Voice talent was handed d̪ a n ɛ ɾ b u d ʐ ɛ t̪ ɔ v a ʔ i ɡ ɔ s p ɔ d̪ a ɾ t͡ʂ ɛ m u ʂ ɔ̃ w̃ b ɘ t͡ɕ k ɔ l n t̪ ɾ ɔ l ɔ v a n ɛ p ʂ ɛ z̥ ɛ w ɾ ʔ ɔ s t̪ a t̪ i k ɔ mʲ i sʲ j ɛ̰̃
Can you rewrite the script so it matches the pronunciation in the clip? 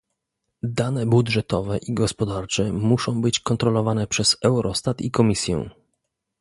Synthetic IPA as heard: d̪ a n ɛ b u d ʐ ɛ t̪ ɔ v ɛ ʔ i ɡ ɔ s p ɔ d̪ a ɾ t͡ʂ ɛ m u ʂ ɔ̃ w̃ b ɘ t͡ɕ k ɔ n t̪ ɾ ɔ l ɔ v a n ɛ p ʂ ɛ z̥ ɛ w ɾ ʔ ɔ s t̪ a t̪ i k ɔ mʲ i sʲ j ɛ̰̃